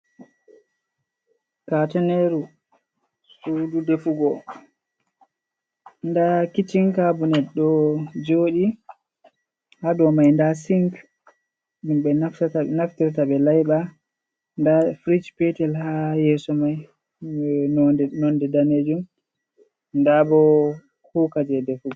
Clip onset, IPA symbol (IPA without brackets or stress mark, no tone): k